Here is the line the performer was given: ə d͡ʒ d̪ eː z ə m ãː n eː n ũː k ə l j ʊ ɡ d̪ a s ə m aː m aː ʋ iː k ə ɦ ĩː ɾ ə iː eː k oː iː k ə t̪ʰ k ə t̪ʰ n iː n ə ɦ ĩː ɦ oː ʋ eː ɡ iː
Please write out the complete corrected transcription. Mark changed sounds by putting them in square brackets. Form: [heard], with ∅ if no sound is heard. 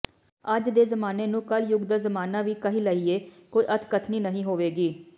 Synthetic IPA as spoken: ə d͡ʒ d̪ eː z ə m [aː] n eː n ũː k ə l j ʊ ɡ d̪ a [z] ə m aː [n] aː ʋ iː k ə ɦ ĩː [l] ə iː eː k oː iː [ʔ] ə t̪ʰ k ə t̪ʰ n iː n ə ɦ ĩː ɦ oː ʋ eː ɡ iː